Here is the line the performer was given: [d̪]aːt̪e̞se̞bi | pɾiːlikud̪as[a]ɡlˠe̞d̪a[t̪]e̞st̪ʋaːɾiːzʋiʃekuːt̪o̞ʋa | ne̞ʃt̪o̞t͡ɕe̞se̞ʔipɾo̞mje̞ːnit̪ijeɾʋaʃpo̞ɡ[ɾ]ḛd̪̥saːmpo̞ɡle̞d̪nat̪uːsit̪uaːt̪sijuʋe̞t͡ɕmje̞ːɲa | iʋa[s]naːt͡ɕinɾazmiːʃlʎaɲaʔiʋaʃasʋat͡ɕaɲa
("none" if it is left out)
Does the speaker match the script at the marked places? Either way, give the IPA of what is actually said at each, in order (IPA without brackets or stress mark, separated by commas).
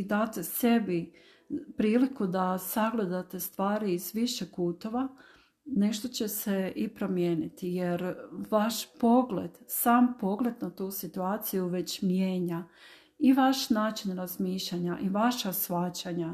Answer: d̪, a, t̪, l, ʃ